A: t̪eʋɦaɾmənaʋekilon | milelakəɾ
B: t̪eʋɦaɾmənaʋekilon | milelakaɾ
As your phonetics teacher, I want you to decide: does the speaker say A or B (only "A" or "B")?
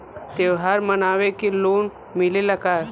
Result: B